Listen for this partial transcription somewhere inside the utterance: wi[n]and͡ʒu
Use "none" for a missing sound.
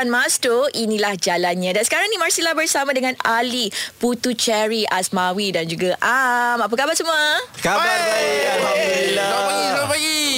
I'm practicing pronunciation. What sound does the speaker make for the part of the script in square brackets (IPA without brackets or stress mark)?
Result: d